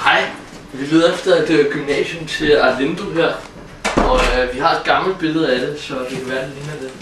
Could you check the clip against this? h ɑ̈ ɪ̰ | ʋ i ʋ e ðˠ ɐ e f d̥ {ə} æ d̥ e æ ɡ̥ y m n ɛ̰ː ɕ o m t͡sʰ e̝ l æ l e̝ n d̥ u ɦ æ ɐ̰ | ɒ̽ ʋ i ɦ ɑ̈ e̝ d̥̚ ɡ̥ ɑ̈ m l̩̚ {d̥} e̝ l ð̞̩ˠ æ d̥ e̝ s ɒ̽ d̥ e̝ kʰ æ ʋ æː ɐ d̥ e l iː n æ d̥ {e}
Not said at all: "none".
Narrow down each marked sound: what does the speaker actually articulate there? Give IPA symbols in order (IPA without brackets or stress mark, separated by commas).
ɐ, b̥, e